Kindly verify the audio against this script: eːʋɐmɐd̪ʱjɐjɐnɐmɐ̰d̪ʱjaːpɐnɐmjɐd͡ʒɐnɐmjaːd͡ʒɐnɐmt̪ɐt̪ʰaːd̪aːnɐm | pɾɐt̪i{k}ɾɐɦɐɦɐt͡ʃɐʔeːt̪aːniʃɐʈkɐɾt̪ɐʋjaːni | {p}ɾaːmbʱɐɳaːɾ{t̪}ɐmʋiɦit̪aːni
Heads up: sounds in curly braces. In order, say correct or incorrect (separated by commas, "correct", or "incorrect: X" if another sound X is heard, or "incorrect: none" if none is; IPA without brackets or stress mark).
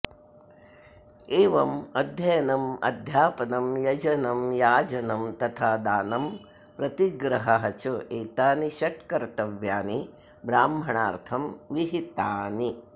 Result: incorrect: ɡ, incorrect: b, incorrect: t̪ʰ